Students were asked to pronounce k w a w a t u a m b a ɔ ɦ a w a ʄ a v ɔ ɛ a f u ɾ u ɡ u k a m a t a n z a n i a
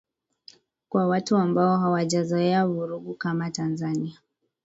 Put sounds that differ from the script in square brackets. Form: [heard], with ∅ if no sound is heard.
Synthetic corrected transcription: k w a w a t u a m b a ɔ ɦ a w a ʄ a [z] ɔ ɛ a [v] u ɾ u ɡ u k a m a t a n z a n i a